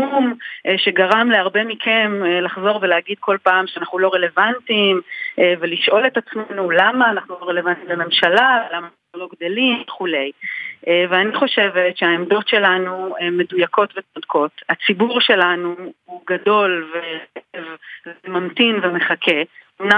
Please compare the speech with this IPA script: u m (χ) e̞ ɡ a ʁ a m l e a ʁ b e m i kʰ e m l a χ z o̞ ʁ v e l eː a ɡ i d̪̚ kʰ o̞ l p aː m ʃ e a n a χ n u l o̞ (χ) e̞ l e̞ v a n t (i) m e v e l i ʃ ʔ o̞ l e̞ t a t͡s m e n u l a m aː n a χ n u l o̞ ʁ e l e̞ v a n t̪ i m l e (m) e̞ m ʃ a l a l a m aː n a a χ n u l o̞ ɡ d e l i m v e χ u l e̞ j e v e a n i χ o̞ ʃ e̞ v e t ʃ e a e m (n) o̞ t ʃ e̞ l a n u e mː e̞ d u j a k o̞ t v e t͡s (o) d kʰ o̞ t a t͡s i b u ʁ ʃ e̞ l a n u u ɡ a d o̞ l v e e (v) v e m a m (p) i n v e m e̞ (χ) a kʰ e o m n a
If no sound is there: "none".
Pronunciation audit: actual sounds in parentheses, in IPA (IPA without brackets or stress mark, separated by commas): ʃ, ʁ, i, m, d, o, v, t, χ